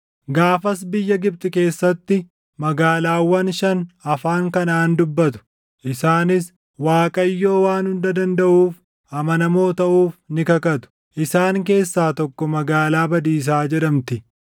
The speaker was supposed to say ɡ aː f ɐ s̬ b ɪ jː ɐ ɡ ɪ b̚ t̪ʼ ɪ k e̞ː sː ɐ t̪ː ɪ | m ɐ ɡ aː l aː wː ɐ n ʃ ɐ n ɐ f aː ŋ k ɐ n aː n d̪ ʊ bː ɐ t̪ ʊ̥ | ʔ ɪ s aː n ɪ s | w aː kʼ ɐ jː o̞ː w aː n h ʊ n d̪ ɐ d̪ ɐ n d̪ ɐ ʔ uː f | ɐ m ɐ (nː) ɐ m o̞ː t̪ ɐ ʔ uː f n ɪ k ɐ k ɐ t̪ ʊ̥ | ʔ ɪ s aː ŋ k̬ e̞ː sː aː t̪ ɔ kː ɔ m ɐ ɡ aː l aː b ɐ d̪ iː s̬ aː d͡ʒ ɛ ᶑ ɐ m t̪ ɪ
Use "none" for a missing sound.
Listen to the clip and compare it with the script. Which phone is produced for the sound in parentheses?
n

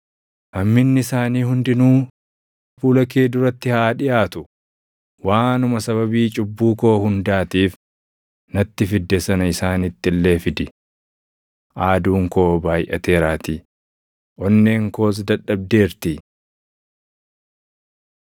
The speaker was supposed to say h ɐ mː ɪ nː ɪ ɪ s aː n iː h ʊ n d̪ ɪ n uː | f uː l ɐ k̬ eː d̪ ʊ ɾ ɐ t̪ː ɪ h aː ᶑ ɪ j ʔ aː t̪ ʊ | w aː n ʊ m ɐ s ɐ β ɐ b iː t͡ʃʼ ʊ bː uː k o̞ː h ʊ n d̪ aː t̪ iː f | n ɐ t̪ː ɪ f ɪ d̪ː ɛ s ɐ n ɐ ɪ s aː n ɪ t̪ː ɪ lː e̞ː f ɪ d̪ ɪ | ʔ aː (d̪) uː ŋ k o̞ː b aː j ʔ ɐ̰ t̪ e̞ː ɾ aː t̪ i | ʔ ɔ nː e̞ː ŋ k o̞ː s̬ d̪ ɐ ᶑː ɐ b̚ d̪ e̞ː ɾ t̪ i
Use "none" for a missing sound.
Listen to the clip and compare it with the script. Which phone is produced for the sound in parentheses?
d̪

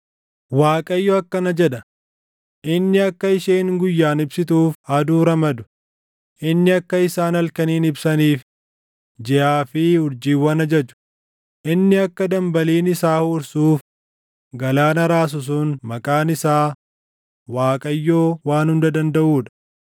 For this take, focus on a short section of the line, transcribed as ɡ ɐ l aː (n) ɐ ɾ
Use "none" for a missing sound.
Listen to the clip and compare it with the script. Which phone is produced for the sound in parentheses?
n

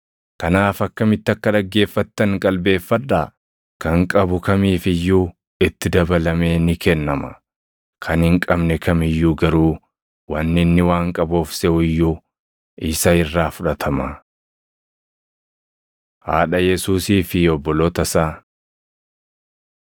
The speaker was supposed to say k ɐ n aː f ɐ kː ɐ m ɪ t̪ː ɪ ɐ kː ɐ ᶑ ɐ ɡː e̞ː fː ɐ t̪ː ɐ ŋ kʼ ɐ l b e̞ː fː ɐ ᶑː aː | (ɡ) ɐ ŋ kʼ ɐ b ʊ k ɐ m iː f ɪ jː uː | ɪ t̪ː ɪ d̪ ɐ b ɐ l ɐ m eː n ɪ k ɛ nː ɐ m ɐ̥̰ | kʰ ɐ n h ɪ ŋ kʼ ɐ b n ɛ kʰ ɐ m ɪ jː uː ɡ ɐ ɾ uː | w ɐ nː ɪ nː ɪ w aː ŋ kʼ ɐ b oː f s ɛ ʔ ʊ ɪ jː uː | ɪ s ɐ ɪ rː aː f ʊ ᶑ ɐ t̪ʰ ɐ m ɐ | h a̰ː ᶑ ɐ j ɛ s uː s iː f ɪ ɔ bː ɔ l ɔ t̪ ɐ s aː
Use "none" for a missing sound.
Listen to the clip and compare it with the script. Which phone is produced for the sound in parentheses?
k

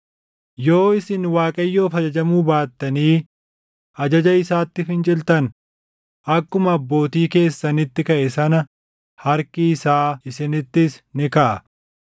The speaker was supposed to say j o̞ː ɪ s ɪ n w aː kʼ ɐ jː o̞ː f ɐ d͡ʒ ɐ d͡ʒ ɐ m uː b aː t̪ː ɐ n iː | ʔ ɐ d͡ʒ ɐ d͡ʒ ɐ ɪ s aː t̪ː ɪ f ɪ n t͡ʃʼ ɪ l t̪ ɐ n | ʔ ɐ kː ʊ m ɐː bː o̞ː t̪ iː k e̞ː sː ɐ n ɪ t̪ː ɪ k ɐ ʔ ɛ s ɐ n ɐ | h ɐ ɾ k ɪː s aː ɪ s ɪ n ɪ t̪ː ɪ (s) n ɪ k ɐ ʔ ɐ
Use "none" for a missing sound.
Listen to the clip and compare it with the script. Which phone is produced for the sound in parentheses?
s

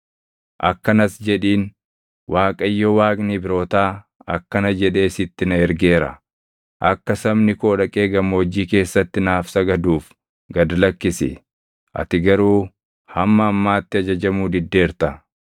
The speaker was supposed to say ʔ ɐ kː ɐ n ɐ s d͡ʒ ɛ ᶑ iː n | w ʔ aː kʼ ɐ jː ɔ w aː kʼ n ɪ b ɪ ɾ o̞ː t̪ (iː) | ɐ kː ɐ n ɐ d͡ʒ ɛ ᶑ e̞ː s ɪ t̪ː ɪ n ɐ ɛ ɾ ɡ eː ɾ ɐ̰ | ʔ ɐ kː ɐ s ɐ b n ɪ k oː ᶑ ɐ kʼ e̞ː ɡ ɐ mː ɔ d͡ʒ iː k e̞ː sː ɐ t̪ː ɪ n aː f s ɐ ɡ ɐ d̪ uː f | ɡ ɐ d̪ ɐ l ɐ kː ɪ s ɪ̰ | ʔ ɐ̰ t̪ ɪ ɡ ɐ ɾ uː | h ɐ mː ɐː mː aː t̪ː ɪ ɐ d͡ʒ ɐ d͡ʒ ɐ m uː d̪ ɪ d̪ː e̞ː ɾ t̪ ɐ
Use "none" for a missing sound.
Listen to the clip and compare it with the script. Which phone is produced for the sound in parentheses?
aː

